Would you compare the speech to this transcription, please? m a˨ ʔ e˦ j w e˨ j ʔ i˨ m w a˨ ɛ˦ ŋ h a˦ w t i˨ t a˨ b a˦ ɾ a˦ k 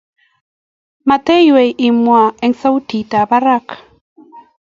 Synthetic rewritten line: m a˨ t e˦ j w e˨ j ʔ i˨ m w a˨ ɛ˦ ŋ s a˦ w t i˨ t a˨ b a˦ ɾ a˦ k